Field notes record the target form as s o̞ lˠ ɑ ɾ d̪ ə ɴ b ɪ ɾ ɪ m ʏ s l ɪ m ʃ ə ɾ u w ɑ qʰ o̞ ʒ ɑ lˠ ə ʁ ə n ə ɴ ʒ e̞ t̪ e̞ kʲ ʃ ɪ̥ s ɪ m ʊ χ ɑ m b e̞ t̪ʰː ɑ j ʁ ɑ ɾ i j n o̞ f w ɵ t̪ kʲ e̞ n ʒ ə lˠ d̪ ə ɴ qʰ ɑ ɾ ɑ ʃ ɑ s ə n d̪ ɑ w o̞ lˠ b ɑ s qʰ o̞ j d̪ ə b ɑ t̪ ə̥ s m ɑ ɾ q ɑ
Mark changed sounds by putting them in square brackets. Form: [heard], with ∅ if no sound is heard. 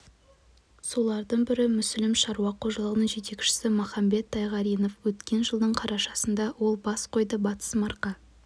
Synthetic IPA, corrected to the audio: s o̞ lˠ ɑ ɾ d̪ ə ɴ b ɪ ɾ ɪ m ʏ s l ɪ m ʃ [ɑ] ɾ u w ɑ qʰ o̞ ʒ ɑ lˠ ə ʁ ə n ə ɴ ʒ e̞ t̪ e̞ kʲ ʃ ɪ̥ s ɪ m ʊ χ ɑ m b e̞ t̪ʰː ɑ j ʁ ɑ ɾ i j n o̞ f w ɵ t̪ kʲ e̞ n ʒ ə lˠ d̪ ə ɴ qʰ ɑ ɾ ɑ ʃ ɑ s ə n d̪ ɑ w o̞ lˠ b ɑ s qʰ o̞ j d̪ ə b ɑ t̪ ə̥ s m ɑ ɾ q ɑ